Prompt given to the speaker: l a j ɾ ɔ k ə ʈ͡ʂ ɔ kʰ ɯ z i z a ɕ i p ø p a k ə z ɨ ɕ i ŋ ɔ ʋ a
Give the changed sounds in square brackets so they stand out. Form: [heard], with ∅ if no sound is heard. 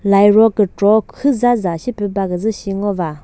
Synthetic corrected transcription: l a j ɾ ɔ k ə ʈ͡ʂ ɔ kʰ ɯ z [a] z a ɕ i p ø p a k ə z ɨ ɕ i ŋ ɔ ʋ a